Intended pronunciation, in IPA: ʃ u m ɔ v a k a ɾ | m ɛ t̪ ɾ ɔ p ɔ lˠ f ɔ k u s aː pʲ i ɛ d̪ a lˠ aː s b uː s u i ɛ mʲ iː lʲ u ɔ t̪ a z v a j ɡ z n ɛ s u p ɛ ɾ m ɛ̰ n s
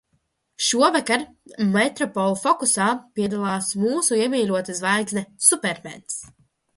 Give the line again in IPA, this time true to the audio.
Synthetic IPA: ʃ u ɔ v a k a ɾ | m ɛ t̪ ɾ ɔ p ɔ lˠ f ɔ k u s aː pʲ i ɛ d̪ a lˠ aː s m uː s u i ɛ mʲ iː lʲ u ɔ t̪ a z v a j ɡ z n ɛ s u p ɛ ɾ m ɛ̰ n s